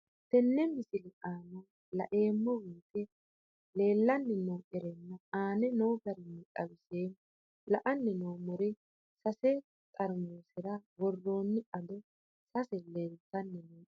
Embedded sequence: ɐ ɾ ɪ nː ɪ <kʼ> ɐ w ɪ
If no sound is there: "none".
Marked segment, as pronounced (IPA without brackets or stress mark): kʼ